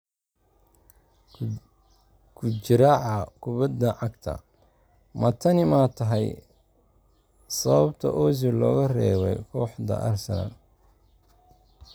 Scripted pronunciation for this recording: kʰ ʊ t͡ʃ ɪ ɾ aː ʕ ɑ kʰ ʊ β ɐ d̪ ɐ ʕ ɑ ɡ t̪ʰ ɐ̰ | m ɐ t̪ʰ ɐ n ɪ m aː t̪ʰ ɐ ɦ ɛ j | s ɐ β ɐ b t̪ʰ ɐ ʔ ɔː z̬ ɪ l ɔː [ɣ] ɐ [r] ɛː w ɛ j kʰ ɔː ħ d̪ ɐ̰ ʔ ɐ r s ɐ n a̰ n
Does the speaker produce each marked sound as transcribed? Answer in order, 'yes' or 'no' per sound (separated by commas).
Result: yes, yes